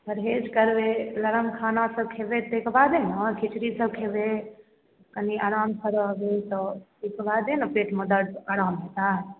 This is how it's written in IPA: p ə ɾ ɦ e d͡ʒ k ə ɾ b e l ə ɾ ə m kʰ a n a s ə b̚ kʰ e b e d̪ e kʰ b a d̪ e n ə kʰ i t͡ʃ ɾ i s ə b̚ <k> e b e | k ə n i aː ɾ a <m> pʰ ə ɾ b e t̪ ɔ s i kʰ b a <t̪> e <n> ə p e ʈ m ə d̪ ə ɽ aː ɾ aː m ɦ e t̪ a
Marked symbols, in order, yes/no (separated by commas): no, yes, no, yes